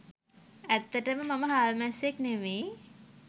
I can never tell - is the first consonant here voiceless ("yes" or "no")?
yes